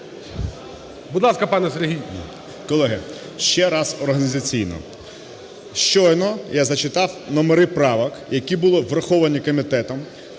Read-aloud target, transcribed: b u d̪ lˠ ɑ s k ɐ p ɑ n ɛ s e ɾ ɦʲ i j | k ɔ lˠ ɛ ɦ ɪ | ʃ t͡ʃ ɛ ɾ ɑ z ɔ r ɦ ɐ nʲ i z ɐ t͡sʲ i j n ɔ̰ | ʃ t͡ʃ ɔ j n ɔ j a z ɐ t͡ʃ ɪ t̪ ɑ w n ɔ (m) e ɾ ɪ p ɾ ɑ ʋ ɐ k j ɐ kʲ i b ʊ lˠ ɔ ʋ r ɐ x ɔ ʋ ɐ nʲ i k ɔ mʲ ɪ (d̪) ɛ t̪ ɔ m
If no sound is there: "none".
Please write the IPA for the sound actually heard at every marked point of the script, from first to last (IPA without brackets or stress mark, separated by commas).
m, t̪